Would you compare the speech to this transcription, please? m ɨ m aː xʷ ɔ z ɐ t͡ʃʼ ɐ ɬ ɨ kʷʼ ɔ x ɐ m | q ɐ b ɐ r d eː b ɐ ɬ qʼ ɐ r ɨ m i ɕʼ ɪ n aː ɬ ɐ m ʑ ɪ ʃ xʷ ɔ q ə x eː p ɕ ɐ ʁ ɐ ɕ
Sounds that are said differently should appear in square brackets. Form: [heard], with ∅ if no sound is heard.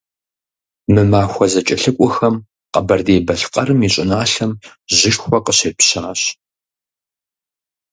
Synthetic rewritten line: m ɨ m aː xʷ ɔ z ɐ t͡ʃʼ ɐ ɬ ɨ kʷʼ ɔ x ɐ m | q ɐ b ɐ r d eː b ɐ ɬ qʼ ɐ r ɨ m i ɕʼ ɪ n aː ɬ ɐ m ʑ ɪ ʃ xʷ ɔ q ə [ɕ] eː p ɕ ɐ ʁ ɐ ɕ